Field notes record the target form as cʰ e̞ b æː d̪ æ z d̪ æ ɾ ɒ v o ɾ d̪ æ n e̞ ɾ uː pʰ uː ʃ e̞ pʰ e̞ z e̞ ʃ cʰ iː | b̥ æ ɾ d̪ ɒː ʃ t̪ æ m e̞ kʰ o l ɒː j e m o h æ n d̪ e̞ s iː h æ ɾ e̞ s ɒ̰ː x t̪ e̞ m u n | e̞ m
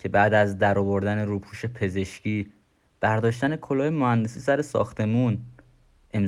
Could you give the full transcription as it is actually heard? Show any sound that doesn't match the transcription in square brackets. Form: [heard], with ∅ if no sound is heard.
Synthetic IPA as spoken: cʰ e̞ b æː d̪ æ z d̪ æ ɾ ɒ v o ɾ d̪ æ n e̞ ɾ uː pʰ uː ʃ e̞ pʰ e̞ z e̞ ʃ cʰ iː | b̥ æ ɾ d̪ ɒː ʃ t̪ æ [n] e̞ kʰ o l ɒː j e m o h æ n d̪ e̞ s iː [s] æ ɾ e̞ s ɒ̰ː x t̪ e̞ m u n | e̞ m